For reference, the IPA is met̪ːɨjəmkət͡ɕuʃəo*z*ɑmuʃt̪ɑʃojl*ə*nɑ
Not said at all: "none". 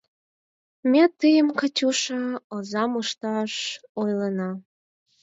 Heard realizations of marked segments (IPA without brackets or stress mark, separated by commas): z, ə